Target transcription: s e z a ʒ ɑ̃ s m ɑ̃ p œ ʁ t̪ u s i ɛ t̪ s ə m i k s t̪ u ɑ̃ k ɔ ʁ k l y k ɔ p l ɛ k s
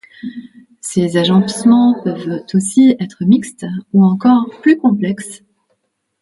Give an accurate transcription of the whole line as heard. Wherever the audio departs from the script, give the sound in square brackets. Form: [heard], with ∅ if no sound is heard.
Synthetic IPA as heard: s e z a ʒ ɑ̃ s m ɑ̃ p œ [v] t̪ [o] s i ɛ t̪ [χ] ə m i k s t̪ u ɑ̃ k ɔ ʁ [p] l y k [ɔ̃] p l ɛ k s